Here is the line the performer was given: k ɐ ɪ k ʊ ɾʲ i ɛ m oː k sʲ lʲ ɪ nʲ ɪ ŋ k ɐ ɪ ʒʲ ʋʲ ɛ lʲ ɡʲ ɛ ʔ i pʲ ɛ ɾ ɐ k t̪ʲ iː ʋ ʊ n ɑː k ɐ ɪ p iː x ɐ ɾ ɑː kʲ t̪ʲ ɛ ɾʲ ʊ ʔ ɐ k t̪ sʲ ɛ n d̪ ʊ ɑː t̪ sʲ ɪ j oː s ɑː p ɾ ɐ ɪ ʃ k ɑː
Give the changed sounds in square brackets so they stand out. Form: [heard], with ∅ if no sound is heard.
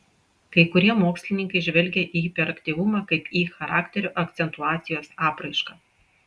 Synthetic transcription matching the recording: k ɐ ɪ k ʊ ɾʲ i ɛ m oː k sʲ lʲ ɪ nʲ ɪ ŋ k ɐ ɪ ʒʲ ʋʲ ɛ lʲ ɡʲ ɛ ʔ i pʲ ɛ ɾ ɐ k t̪ʲ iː ʋ ʊ [m] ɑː k ɐ ɪ p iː x ɐ ɾ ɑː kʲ t̪ʲ ɛ ɾʲ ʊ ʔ ɐ k t̪ sʲ ɛ n [t̪] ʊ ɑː t̪ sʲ ɪ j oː s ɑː p ɾ ɐ ɪ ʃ k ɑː